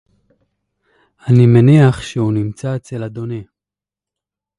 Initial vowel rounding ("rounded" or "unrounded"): unrounded